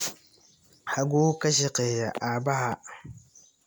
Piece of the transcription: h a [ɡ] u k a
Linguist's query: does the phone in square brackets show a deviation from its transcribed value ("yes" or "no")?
no